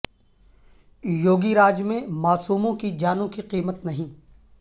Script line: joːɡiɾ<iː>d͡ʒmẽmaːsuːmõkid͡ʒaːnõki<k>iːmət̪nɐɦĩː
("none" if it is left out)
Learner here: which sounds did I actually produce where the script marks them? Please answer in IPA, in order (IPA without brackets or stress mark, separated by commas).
aː, q